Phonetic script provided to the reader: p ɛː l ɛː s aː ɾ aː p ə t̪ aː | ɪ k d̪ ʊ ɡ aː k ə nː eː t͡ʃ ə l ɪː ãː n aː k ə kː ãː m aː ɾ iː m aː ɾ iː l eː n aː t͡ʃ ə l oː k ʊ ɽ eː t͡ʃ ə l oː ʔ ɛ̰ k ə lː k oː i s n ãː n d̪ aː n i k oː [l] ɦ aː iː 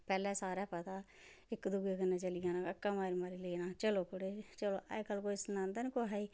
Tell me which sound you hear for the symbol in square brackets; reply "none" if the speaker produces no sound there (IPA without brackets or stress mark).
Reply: none